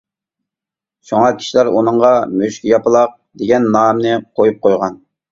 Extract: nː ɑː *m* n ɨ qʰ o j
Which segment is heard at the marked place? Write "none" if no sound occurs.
m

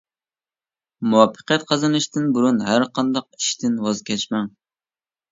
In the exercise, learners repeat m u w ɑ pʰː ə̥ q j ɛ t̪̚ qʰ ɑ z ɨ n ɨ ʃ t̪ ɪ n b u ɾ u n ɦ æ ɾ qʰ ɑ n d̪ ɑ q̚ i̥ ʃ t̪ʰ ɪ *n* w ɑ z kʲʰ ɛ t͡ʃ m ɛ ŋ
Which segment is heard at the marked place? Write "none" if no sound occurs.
n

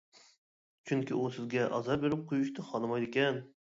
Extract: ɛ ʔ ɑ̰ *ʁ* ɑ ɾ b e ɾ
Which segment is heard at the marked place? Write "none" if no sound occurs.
z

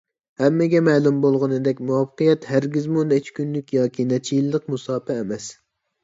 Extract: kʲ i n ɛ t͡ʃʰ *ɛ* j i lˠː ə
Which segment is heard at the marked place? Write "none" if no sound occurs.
i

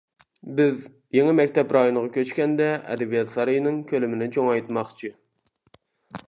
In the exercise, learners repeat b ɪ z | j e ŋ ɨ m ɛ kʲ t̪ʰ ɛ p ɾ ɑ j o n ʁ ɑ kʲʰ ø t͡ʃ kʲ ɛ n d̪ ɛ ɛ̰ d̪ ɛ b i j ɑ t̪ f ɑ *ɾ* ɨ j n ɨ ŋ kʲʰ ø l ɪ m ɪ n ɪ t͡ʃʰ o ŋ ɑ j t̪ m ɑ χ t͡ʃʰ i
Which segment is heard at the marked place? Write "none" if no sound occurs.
ɾ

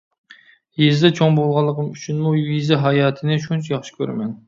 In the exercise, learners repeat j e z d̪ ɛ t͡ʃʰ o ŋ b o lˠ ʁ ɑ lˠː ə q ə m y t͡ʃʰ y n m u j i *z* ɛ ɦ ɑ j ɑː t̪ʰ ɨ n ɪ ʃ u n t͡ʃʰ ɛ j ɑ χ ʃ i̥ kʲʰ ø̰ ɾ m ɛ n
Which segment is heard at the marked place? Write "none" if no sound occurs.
z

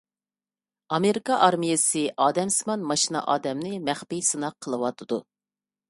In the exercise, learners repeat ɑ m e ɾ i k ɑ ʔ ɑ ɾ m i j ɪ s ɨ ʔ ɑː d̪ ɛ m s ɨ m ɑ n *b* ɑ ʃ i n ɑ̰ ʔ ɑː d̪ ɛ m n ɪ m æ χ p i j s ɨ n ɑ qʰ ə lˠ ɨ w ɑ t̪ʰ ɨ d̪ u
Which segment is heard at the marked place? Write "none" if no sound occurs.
m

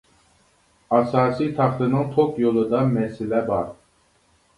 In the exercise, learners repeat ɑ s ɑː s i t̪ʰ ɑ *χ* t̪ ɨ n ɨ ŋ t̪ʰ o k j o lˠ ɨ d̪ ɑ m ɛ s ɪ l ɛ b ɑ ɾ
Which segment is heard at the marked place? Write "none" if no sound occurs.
χ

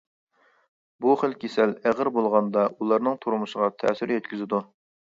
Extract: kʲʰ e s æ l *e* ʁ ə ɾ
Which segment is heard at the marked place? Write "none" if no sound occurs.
æ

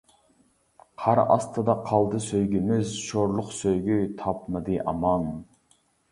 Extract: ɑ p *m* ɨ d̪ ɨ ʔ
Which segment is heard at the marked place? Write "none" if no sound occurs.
m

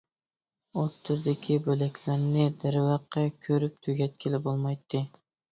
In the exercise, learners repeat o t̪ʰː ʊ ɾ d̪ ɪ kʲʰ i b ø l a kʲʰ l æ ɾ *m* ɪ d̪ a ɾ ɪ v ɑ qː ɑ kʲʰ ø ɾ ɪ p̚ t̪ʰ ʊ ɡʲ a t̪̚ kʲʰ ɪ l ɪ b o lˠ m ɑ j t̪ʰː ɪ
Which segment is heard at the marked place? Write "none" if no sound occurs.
n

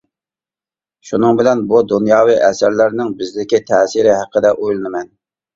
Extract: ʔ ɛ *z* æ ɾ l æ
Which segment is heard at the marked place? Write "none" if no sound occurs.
s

